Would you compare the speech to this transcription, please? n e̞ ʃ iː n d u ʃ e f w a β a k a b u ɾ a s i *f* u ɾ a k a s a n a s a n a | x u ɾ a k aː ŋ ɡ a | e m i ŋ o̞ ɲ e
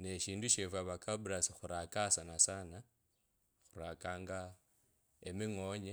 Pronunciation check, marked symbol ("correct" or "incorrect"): incorrect